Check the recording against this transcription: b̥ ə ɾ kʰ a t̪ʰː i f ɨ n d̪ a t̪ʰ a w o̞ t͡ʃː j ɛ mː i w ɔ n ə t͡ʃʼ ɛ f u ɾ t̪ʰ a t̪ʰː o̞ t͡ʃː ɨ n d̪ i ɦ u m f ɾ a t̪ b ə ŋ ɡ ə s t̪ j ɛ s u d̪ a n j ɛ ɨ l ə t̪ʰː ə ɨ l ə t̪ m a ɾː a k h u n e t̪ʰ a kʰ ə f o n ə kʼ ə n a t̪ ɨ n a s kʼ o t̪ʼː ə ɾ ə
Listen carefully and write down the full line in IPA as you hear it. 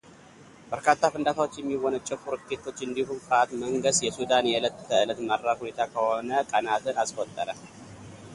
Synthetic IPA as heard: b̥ ə ɾ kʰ a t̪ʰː a f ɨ n d̪ a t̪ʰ a w o̞ t͡ʃː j ɛ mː i w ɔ n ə t͡ʃʼ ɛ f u ɾ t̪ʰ e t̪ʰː o̞ t͡ʃː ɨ n d̪ i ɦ u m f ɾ a t̪ m ə ŋ ɡ ə s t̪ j ɛ s u d̪ a n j ɛ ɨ l ə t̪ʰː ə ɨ l ə t̪ m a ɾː a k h u n e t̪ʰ a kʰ ə h o n ə kʼ ə n a t̪ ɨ n a s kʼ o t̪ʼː ə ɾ ə